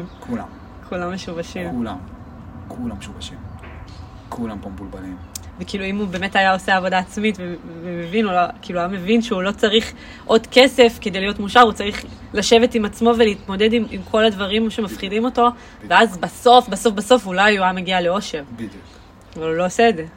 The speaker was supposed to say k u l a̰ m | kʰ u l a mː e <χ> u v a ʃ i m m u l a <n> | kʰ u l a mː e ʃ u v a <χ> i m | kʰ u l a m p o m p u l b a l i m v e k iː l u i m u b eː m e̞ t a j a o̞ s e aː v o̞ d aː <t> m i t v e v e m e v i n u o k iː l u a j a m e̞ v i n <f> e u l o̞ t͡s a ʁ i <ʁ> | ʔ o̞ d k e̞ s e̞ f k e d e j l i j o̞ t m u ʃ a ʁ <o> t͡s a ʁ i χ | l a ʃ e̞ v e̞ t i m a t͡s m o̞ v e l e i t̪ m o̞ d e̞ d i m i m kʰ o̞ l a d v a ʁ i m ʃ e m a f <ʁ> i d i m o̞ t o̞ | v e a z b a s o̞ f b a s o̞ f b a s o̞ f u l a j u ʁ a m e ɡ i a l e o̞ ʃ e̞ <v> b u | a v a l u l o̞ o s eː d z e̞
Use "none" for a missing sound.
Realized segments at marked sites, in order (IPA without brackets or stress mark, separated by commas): ʃ, m, ʃ, t͡s, ʃ, χ, u, χ, ʁ